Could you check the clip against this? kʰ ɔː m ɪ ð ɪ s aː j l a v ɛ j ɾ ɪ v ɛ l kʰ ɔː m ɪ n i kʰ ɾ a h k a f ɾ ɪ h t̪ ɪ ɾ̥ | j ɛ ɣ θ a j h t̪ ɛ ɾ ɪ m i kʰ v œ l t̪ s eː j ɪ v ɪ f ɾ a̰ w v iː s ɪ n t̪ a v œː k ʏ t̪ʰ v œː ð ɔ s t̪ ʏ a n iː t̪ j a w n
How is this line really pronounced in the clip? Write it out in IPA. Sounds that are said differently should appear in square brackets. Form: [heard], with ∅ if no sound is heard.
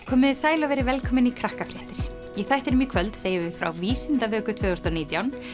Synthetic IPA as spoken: kʰ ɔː m ɪ ð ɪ s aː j l a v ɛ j ɾ ɪ v ɛ l kʰ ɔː m ɪ n i kʰ ɾ a h k a f ɾ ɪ h t̪ ɪ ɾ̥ | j ɛ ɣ θ a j h t̪ ɛ ɾ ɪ m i kʰ v œ l t̪ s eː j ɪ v ɪ f ɾ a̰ w v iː s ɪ n t̪ a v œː k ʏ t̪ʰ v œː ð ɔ s t̪ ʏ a n iː t̪ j a w n